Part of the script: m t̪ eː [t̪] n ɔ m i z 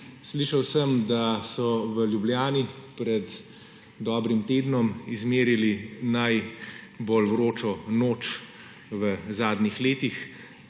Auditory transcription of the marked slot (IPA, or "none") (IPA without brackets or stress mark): d̪